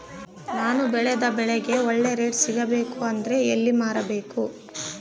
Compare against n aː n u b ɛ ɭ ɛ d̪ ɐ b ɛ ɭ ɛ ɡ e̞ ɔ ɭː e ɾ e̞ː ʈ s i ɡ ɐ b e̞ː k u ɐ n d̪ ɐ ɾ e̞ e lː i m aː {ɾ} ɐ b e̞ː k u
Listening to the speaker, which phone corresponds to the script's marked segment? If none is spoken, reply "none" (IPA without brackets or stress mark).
ɾ